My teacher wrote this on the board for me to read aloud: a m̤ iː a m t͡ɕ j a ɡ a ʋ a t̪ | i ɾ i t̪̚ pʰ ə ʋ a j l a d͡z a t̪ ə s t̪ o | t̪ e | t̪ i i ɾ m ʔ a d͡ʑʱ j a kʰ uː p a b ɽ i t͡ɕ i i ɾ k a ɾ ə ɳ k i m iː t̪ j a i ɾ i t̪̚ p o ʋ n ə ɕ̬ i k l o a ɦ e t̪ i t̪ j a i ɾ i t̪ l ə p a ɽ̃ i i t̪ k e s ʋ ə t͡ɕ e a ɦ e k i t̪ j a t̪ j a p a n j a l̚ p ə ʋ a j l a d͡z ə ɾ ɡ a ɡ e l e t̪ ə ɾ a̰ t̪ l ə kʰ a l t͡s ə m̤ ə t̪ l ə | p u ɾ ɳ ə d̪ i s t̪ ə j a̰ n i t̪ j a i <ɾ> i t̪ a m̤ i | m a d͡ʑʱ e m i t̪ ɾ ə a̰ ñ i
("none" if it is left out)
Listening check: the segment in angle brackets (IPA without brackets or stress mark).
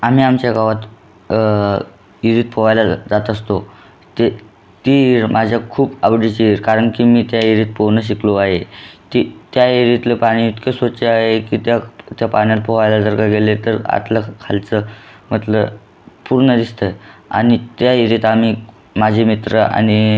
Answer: ɾ